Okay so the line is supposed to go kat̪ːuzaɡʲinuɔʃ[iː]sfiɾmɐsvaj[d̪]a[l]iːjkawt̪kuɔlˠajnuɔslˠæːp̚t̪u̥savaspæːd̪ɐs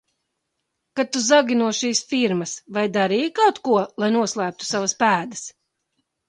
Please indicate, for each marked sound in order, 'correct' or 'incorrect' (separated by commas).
correct, correct, incorrect